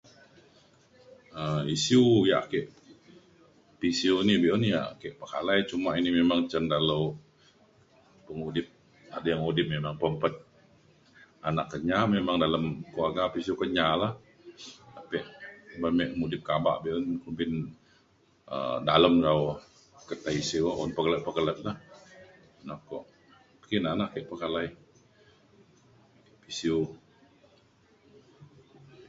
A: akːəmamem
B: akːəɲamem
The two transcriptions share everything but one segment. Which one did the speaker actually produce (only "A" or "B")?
B